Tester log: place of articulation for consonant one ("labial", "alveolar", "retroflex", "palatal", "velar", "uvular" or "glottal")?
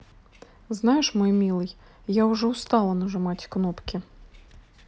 alveolar